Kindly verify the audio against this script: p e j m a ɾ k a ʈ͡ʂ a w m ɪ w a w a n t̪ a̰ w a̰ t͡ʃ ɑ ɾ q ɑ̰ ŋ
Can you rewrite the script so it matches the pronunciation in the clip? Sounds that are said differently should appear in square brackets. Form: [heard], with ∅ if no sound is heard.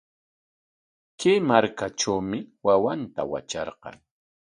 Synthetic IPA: [k] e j m a ɾ k a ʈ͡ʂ a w m ɪ w a w a n t̪ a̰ w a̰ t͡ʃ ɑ ɾ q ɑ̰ ŋ